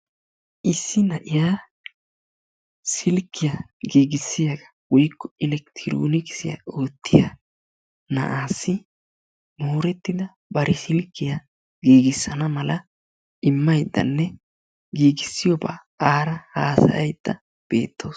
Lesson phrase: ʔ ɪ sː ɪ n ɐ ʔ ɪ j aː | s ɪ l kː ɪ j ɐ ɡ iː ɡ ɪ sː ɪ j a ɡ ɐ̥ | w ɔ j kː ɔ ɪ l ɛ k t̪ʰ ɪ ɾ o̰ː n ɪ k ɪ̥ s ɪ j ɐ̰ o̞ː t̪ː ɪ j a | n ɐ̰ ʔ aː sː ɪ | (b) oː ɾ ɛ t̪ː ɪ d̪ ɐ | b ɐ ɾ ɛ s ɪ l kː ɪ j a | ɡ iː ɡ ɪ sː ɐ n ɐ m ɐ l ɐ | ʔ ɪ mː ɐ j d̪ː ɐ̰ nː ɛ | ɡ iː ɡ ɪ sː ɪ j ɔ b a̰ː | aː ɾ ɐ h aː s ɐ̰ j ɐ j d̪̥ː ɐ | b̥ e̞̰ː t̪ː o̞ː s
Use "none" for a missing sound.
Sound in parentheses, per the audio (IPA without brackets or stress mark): m